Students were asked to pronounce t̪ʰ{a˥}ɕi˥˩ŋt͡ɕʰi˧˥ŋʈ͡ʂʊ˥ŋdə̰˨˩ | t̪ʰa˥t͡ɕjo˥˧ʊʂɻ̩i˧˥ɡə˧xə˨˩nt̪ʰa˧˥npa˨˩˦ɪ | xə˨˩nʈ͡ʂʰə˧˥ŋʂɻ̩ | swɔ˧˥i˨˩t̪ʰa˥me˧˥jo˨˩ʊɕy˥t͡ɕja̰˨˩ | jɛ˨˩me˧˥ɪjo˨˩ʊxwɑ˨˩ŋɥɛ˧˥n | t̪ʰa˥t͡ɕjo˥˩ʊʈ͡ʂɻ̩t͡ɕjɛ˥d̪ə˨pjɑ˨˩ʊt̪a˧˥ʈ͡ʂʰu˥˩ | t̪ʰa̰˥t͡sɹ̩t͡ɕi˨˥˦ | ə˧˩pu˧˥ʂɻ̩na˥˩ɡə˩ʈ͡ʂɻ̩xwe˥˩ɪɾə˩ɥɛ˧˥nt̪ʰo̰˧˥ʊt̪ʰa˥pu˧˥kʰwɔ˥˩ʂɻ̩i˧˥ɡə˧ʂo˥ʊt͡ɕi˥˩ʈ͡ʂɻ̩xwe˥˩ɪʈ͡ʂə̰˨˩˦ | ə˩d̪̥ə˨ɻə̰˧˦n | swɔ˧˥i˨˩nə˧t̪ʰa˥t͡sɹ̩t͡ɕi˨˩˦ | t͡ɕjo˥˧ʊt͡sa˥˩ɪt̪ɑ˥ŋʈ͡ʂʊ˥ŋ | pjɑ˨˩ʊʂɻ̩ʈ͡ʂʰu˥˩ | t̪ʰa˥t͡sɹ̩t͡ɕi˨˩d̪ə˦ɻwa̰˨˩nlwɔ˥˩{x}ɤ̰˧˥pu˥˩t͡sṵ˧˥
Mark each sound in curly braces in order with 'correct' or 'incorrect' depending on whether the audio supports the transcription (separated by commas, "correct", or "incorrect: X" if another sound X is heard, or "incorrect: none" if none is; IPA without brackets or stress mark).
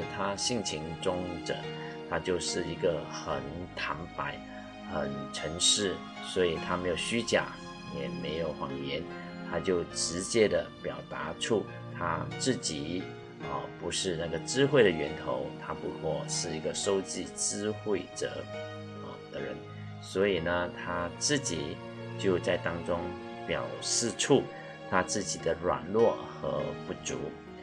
correct, correct